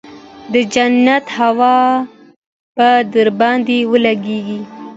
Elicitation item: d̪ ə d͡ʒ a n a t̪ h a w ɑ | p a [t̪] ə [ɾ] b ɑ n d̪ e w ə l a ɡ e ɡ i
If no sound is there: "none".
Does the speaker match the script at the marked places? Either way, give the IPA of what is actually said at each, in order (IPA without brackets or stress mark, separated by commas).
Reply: d̪, ɾ